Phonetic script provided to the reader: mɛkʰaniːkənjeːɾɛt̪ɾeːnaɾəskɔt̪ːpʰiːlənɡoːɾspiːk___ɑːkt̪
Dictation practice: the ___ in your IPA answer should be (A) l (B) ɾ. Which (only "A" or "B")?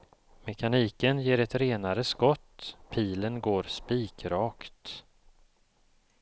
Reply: B